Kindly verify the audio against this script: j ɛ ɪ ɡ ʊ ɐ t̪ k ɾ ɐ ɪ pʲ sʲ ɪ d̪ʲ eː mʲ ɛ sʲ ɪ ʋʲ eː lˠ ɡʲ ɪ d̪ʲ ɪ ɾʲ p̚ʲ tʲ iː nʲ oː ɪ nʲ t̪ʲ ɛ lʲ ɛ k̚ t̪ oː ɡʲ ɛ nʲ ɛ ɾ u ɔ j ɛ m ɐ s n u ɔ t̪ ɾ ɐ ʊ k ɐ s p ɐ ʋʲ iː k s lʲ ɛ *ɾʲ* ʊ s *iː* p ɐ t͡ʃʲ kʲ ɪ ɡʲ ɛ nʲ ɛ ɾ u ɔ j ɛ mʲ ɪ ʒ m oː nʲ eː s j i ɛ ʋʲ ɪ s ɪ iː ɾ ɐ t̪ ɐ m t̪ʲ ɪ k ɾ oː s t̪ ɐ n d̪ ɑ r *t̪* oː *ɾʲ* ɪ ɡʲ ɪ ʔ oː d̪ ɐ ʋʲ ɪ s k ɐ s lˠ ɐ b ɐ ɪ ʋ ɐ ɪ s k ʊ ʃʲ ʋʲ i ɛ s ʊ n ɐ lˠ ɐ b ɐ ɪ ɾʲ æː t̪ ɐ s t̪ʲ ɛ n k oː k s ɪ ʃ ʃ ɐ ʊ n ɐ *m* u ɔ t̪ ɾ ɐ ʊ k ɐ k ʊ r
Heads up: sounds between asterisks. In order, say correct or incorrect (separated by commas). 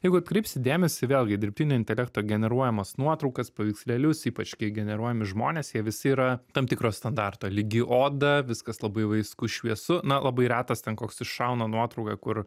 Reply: incorrect, correct, correct, incorrect, incorrect